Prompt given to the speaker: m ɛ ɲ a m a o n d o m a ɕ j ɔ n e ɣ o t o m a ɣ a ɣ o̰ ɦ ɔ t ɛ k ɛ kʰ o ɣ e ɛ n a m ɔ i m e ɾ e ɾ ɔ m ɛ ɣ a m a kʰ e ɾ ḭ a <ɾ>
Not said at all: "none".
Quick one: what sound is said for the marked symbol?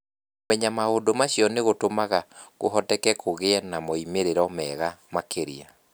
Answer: none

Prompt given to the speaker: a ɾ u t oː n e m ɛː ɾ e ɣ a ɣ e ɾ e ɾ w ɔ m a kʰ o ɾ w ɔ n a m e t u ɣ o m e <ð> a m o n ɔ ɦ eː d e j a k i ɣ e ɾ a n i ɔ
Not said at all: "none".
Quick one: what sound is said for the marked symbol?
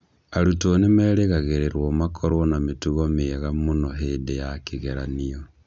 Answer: ɣ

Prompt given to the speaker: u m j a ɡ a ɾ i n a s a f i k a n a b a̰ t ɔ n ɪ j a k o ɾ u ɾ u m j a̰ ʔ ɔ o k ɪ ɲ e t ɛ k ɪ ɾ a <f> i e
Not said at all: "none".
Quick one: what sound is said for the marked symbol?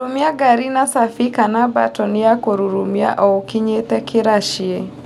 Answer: ʃ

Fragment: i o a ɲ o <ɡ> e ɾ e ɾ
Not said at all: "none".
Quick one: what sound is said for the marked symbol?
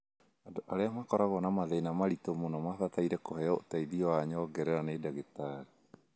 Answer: ɡ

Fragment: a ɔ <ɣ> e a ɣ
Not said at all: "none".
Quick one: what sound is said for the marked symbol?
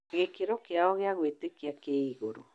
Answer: ɣ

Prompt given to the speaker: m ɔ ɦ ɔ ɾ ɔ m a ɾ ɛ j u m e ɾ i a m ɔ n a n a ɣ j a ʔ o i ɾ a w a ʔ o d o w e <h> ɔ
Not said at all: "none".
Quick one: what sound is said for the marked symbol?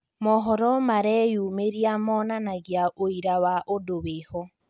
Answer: h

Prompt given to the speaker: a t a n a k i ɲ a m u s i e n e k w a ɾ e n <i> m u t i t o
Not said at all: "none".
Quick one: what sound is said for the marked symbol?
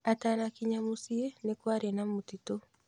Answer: a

